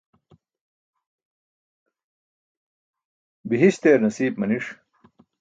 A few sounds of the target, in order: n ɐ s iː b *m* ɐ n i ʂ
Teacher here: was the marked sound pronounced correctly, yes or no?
yes